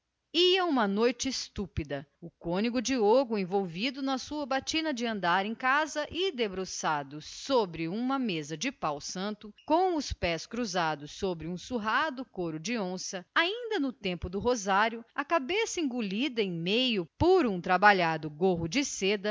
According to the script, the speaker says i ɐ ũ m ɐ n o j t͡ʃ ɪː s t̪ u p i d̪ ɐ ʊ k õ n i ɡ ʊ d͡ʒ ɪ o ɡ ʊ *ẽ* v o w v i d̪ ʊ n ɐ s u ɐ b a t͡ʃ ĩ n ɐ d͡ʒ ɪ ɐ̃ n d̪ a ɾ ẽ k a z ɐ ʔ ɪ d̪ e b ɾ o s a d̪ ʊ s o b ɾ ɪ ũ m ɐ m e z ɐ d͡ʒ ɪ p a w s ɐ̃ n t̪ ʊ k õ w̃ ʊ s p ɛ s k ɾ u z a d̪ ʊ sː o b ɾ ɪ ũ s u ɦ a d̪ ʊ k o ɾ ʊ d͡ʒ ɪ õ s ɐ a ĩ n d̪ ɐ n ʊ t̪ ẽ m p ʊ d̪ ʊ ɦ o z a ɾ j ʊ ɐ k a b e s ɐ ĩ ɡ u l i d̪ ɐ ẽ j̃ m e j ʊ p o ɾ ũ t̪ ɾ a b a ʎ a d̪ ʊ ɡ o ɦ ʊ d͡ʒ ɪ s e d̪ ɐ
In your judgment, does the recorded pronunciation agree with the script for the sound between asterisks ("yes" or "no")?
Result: yes